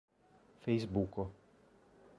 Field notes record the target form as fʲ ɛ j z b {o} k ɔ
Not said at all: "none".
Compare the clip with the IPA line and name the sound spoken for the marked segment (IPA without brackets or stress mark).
u